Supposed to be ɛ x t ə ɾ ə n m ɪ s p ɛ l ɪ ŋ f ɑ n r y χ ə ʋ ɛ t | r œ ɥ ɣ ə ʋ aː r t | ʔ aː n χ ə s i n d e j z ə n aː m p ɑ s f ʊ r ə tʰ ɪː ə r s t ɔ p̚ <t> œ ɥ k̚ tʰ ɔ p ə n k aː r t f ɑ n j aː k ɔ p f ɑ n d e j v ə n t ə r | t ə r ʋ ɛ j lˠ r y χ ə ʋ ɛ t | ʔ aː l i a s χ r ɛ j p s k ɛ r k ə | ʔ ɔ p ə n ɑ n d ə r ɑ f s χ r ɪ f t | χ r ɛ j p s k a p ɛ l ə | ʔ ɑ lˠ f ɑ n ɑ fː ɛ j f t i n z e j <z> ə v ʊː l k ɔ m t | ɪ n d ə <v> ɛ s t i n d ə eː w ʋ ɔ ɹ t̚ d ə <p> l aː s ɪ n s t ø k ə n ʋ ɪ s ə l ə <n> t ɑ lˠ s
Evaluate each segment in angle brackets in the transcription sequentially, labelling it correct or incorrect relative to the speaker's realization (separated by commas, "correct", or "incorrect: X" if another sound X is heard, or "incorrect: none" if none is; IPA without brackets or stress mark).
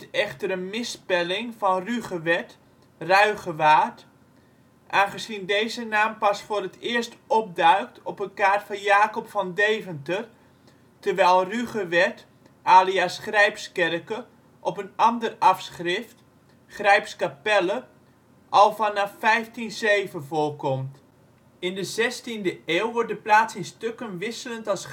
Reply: incorrect: d, incorrect: v, incorrect: z, correct, correct